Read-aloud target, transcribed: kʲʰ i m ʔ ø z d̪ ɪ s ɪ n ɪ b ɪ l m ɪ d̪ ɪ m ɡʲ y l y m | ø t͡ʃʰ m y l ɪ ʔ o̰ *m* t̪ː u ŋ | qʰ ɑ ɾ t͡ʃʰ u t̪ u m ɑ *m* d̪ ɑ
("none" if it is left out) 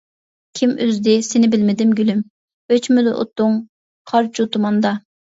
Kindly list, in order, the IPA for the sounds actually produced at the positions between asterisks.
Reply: none, n

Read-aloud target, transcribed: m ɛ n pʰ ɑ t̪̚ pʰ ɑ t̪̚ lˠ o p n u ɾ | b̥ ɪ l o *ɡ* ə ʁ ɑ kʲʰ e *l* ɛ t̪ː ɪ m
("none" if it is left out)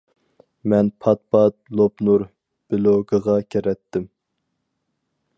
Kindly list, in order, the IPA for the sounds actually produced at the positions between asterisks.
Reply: ɡ, ɾ

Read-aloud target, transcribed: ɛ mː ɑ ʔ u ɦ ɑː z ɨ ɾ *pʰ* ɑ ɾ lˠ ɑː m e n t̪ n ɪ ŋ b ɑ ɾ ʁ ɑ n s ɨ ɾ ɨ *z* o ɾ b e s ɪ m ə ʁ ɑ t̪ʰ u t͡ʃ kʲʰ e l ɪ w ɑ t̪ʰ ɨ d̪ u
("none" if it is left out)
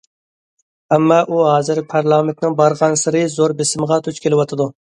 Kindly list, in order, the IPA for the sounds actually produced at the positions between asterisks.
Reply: pʰ, z

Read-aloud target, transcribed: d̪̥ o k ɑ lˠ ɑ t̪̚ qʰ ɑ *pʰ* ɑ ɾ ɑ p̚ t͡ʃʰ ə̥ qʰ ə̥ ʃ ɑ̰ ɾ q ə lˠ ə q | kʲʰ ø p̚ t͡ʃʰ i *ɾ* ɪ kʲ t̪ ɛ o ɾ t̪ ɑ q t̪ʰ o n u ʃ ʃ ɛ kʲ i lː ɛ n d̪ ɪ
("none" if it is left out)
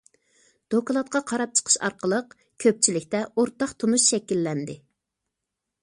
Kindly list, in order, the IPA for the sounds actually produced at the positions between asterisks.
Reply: qʰ, l

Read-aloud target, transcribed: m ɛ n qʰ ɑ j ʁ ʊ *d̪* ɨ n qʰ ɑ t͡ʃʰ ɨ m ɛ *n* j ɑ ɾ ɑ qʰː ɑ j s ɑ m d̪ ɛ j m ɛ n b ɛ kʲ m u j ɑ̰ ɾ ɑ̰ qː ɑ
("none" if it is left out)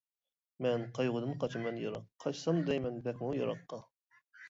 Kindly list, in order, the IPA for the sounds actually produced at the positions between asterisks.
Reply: d̪, n

